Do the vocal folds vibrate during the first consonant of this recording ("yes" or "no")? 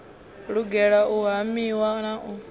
yes